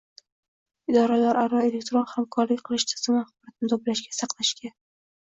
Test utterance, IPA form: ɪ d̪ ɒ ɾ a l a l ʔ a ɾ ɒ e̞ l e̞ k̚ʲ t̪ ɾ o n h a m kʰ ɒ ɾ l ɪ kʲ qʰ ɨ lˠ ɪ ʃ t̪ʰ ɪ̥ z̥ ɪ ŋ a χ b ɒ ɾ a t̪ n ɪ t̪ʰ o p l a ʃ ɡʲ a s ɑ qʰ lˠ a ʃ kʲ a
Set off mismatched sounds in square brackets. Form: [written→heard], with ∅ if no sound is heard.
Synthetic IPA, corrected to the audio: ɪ d̪ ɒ ɾ a l a [l→ɾ] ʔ a ɾ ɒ e̞ l e̞ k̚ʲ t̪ ɾ o n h a m kʰ ɒ ɾ l ɪ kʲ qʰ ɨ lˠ ɪ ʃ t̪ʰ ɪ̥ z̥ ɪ [ŋ→m] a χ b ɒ ɾ a t̪ n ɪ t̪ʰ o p l a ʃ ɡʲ a s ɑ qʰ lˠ a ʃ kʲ a